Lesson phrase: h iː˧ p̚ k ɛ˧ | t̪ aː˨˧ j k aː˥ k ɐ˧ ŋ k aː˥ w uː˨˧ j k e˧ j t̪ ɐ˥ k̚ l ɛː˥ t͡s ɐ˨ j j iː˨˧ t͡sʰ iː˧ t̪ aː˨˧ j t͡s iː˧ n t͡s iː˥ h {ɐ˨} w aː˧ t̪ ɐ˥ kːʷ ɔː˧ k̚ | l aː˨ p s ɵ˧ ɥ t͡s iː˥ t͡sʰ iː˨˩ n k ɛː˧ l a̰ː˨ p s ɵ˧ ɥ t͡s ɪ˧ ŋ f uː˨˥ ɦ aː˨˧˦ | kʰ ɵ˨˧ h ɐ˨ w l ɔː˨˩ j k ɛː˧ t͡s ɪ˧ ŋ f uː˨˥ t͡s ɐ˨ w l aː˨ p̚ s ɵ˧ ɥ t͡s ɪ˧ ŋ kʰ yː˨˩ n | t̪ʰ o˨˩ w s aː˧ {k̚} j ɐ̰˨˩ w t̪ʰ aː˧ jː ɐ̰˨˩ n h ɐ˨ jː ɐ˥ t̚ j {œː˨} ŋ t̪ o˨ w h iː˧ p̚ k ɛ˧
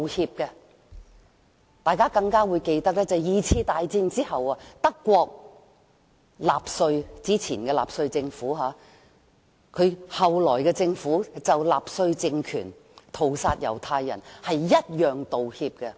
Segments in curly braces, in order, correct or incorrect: correct, incorrect: t̚, correct

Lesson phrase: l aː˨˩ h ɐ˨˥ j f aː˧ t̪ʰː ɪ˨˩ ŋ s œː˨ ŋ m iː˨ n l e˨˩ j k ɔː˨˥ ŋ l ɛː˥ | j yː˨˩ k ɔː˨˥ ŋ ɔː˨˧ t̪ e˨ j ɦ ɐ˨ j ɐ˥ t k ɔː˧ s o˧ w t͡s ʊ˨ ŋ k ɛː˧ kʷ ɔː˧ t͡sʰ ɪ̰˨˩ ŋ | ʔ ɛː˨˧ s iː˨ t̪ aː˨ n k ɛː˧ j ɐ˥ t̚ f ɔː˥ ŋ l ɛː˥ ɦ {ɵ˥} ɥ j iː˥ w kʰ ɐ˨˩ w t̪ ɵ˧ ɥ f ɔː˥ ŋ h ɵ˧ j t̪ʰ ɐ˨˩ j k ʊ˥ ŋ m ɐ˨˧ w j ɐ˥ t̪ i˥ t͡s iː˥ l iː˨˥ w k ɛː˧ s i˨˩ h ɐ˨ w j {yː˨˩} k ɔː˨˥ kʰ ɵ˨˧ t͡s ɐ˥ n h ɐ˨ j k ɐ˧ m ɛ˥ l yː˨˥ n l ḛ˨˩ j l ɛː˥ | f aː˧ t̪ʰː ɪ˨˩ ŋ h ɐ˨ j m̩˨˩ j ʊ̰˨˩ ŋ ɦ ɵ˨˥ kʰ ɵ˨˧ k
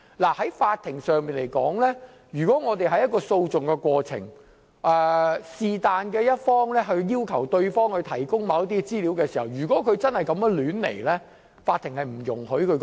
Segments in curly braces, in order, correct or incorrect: incorrect: ɵ˧, correct

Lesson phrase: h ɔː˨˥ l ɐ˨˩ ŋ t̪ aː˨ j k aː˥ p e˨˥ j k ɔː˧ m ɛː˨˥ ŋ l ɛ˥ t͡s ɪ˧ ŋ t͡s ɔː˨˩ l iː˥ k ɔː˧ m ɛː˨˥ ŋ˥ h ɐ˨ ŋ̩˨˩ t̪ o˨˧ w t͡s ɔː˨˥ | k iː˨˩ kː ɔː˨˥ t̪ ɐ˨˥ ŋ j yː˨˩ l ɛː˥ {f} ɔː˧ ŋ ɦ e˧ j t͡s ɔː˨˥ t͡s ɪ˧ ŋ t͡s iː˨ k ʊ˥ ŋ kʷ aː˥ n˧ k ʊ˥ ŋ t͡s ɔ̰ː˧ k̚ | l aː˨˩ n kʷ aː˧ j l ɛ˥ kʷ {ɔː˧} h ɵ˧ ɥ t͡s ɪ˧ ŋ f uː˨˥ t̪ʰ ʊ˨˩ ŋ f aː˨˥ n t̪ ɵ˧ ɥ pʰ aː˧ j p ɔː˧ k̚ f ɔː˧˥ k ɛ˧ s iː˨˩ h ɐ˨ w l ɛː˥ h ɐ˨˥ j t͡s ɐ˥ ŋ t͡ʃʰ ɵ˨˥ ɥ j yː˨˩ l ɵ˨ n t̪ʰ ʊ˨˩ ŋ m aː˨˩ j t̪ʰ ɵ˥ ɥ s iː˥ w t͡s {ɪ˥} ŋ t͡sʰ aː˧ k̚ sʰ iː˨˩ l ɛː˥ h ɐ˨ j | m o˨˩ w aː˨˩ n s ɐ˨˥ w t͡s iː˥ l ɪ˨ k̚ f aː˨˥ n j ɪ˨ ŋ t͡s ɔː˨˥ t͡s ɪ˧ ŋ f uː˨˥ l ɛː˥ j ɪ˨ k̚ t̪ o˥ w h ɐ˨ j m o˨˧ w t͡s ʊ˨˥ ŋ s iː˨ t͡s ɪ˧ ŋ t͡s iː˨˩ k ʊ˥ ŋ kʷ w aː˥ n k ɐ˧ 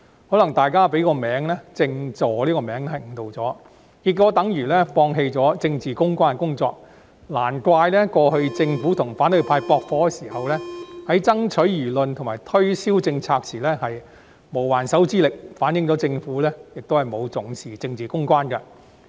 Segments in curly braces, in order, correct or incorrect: correct, correct, incorrect: ɪ˧

